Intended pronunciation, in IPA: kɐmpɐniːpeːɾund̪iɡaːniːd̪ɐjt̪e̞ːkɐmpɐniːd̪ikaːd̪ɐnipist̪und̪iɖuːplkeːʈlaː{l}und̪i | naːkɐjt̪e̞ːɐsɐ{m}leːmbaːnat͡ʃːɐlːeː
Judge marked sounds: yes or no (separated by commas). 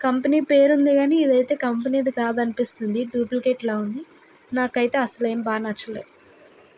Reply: no, no